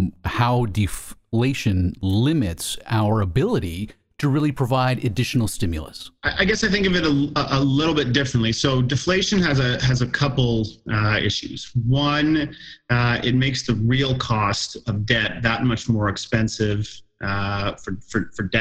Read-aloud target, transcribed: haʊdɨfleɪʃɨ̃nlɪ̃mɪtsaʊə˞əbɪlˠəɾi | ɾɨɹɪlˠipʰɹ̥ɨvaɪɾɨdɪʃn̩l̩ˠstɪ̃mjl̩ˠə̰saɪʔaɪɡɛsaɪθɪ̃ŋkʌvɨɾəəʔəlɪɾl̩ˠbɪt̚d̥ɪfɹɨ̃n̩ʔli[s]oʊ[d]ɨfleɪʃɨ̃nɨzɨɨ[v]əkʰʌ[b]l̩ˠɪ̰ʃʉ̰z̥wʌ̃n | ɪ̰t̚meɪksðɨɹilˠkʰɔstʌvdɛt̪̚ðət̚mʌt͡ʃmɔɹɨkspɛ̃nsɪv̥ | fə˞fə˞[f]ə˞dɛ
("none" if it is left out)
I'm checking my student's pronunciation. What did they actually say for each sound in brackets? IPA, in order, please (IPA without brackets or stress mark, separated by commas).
s, d, z, p, f